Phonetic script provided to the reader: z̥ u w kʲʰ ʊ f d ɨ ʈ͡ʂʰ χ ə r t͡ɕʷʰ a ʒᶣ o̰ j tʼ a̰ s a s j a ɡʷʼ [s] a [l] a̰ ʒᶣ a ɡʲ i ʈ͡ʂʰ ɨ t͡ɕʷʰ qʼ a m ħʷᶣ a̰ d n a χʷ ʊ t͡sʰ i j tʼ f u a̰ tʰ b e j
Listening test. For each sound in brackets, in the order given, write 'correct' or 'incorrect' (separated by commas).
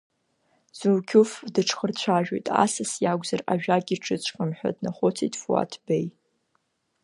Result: incorrect, incorrect